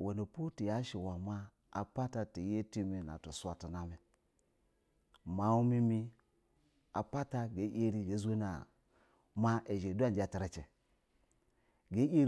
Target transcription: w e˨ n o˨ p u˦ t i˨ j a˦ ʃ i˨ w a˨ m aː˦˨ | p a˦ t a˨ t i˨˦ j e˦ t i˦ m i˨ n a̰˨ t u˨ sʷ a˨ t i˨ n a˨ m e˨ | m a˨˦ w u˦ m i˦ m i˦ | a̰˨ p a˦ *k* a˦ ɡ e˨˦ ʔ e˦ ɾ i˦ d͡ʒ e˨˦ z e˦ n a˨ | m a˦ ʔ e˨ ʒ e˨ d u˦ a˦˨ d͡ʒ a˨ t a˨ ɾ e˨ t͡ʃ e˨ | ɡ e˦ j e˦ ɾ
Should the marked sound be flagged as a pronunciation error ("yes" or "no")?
yes